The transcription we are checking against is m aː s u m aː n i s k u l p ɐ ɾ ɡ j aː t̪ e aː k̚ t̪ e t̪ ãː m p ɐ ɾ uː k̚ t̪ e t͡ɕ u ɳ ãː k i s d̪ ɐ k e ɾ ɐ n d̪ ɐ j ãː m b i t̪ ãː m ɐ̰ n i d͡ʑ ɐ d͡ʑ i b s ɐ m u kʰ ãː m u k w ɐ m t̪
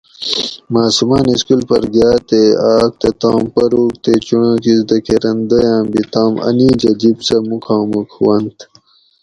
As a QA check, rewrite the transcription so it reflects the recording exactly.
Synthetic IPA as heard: m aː s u m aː n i s k u l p ɐ ɾ ɡ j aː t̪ e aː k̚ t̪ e t̪ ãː m p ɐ ɾ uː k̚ t̪ e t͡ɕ u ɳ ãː k i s d̪ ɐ k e ɾ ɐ n d̪ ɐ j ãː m b i t̪ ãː m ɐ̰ n i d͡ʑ ɐ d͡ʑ i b s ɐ m u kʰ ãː m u k w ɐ n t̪